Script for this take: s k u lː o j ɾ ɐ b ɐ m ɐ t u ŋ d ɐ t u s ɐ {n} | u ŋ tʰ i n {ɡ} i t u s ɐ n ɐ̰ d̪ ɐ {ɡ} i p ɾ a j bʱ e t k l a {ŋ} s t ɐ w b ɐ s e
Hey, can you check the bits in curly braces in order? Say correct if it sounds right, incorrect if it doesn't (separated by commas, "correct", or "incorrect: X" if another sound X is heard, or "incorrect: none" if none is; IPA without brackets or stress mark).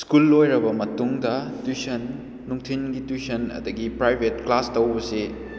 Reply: incorrect: nː, correct, correct, incorrect: none